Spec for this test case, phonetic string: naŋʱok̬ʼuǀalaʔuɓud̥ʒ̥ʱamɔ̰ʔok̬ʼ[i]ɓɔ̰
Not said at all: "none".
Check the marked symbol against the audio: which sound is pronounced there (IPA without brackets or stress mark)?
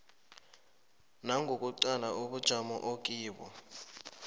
iː